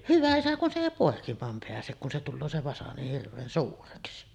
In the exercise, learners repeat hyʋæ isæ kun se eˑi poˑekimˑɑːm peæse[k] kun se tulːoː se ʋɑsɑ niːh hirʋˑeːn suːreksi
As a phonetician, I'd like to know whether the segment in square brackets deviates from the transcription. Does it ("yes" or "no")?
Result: no